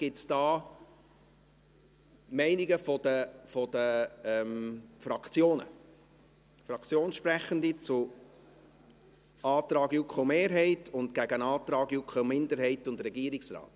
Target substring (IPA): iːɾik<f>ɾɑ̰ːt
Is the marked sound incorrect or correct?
incorrect